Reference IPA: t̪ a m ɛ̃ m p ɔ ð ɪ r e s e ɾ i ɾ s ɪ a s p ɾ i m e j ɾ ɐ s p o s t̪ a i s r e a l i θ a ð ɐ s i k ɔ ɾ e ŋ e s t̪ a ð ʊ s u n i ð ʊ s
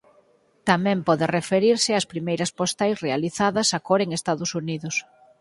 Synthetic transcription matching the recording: t̪ a m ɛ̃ m p ɔ ð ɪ r e f e ɾ i ɾ s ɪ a s p ɾ i m e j ɾ ɐ s p o s t̪ a j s r e a l i θ a ð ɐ s a k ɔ ɾ e ŋ e s t̪ a ð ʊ s u n i ð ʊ s